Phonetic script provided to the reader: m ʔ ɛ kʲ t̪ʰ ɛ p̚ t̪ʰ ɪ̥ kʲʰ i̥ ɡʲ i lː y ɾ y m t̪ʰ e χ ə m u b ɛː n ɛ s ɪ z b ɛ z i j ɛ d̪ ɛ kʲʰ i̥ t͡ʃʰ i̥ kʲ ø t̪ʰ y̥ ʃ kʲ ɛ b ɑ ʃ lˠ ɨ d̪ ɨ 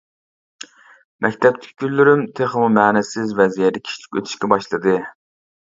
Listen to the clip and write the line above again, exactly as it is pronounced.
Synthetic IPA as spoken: m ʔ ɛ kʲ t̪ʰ ɛ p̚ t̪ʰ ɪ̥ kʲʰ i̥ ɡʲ y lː y ɾ y m t̪ʰ e χ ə m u m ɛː n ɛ s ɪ z v ɛ z i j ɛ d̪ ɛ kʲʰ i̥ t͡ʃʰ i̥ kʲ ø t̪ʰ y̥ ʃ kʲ ɛ b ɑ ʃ lˠ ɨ d̪ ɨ